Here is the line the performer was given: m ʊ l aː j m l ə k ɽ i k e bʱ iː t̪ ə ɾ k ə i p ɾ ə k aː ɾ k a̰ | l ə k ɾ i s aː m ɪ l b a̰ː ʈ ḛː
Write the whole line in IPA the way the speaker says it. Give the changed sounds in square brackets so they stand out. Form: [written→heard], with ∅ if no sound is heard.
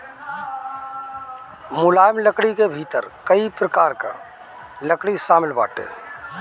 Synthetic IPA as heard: m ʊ l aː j m l ə k ɽ i k e bʱ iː t̪ ə ɾ k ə i p ɾ ə k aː ɾ k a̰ | l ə k [ɾ→ɽ] i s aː m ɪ l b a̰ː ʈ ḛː